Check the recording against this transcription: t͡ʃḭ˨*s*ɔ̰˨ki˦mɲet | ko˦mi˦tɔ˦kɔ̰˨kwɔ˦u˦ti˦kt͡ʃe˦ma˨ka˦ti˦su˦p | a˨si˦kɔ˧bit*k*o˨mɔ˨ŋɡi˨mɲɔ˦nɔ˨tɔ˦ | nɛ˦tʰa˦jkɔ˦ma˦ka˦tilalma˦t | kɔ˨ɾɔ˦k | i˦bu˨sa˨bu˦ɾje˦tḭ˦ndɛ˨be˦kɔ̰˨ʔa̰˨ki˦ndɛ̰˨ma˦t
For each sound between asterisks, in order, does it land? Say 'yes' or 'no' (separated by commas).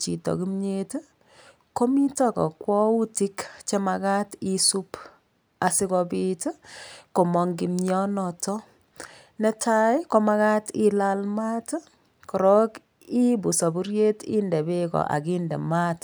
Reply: no, yes